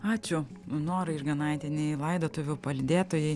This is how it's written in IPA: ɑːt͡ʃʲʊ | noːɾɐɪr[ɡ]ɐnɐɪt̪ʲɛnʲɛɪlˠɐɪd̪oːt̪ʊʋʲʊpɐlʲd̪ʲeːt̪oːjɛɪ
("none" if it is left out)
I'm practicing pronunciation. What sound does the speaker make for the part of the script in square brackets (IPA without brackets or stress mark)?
ɡ